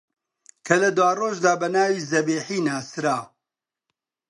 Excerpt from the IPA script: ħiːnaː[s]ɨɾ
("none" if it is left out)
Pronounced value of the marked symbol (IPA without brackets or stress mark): s